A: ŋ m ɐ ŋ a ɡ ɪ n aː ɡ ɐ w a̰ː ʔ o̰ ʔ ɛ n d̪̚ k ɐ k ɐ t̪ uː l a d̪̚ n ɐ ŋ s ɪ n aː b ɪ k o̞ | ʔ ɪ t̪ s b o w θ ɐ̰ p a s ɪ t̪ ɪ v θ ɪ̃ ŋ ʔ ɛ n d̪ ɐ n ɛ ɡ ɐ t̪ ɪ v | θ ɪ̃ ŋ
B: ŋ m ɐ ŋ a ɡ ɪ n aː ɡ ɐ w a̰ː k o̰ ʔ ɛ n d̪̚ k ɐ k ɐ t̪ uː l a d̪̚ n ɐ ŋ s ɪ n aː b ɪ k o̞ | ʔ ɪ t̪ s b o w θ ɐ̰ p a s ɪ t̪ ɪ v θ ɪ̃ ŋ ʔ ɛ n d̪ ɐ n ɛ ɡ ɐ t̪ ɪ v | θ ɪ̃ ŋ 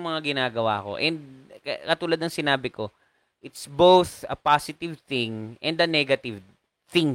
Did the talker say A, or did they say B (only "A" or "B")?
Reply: B